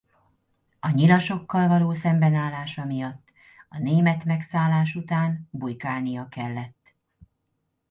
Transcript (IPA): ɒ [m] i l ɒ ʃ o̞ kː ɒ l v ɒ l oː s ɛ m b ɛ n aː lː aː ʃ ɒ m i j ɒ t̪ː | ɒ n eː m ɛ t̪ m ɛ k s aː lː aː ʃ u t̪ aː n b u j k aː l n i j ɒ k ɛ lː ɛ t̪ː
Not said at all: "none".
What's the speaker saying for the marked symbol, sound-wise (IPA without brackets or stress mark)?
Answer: ɲ